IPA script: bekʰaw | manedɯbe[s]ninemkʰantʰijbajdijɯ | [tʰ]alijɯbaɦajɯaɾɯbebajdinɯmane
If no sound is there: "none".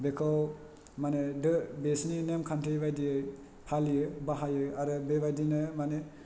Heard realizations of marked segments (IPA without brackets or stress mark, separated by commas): s, pʰ